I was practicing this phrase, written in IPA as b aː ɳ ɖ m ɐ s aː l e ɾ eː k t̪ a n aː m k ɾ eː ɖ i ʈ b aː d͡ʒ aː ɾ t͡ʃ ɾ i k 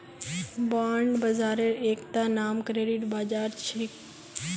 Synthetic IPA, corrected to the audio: b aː ɳ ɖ b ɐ z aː ɾ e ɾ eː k t̪ a n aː m k ɾ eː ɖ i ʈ b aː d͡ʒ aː ɾ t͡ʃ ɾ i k